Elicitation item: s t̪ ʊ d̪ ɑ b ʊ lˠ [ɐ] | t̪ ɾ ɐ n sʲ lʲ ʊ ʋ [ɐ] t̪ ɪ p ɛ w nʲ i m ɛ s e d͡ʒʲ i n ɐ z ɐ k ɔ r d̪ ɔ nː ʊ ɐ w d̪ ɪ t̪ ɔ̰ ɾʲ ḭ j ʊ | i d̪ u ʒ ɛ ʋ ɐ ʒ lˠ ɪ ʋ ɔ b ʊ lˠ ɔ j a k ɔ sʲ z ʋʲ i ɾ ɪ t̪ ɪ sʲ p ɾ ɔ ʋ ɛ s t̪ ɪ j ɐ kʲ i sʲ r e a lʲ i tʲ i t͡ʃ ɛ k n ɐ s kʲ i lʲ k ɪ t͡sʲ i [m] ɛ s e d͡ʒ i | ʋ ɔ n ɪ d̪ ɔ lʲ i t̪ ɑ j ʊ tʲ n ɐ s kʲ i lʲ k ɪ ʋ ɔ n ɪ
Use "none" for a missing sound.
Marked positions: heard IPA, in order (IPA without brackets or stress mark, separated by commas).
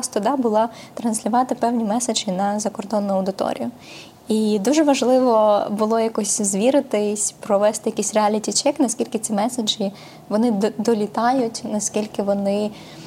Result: ɑ, ɑ, m